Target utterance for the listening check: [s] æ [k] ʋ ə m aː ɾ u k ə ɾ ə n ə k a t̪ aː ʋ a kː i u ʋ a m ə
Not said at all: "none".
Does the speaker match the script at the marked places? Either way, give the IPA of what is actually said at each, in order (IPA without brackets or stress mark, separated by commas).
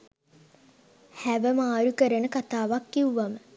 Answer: h, none